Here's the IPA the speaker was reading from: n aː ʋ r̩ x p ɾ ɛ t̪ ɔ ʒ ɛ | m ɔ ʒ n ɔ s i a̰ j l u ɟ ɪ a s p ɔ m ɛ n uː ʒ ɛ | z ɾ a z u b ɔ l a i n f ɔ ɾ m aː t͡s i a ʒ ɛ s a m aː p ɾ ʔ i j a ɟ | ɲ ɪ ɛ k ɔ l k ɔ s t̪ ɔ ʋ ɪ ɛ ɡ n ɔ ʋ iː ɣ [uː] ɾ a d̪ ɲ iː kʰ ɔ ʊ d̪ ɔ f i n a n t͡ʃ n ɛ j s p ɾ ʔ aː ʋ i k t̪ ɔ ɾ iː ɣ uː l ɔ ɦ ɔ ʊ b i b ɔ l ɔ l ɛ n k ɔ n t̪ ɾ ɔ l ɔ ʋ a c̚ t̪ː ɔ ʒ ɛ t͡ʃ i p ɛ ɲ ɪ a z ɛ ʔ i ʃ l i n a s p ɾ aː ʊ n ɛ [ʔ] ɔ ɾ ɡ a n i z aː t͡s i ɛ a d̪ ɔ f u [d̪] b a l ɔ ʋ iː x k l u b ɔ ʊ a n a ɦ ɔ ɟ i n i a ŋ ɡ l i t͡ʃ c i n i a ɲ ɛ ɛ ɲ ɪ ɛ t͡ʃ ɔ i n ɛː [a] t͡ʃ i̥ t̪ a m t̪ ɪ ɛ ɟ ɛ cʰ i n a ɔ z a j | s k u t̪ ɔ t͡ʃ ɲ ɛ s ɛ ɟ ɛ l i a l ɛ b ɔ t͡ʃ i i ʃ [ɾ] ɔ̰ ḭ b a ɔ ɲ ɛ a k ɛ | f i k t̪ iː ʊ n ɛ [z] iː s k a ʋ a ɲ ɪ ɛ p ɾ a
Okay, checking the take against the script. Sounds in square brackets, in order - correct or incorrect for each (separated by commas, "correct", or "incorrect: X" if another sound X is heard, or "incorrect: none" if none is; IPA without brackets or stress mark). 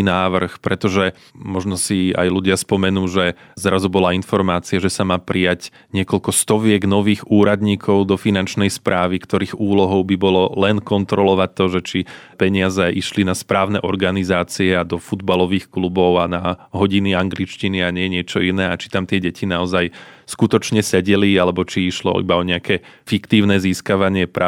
correct, correct, correct, correct, incorrect: l, correct